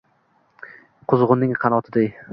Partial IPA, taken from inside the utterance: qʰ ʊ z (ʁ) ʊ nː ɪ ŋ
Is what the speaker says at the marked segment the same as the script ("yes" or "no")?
yes